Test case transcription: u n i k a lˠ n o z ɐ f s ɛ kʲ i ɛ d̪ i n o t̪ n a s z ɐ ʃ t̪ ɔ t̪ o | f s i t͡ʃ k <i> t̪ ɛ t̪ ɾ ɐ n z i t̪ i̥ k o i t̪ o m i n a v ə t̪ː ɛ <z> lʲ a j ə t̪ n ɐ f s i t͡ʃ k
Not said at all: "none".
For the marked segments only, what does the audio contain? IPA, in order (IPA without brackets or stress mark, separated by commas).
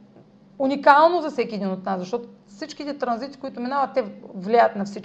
i, v